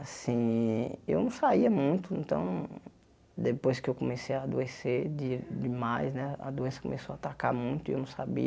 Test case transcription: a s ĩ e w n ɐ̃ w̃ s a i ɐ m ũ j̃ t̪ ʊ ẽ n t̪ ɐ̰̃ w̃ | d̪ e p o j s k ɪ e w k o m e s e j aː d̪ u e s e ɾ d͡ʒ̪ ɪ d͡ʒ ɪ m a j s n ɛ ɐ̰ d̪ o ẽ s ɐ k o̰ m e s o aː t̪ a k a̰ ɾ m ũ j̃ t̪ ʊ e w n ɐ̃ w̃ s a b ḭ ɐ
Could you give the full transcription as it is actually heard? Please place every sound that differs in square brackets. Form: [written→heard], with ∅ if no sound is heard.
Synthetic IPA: a s ĩ e w n ɐ̃ w̃ s a i ɐ m ũ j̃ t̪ ʊ ẽ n t̪ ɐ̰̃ w̃ | d̪ e p o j s k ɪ e w k o m e s e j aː d̪ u e s e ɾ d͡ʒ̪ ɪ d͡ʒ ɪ m a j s n ɛ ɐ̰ d̪ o ẽ s ɐ k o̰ m e s o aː t̪ a k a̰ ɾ m ũ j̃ t̪ ʊ e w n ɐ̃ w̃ s a b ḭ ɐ